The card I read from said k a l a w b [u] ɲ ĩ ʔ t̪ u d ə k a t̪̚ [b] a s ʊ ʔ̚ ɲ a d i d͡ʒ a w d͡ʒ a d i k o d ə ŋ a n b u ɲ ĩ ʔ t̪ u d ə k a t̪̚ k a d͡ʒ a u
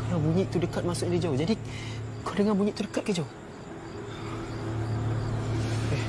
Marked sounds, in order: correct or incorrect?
correct, incorrect: m

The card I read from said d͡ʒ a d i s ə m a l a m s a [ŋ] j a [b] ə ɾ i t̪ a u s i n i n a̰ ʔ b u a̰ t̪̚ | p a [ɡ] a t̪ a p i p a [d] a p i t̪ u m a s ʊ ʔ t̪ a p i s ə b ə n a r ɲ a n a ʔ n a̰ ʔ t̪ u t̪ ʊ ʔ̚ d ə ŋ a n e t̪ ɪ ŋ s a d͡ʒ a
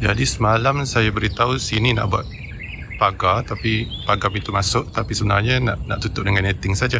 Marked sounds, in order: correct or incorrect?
incorrect: none, correct, correct, incorrect: ɡ

